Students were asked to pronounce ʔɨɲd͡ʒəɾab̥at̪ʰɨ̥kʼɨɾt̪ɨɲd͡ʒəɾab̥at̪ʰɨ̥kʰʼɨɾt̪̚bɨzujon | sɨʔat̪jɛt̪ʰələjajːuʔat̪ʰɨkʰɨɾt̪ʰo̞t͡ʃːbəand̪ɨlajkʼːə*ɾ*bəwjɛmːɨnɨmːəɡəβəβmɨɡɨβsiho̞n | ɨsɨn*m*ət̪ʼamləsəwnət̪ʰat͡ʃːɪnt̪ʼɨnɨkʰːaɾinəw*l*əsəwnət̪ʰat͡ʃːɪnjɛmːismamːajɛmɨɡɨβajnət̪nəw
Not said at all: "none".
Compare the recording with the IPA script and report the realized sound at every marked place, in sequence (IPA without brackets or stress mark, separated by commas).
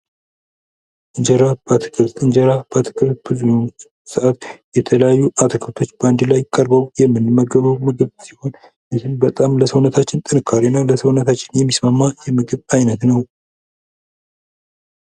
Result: ɾ, b, l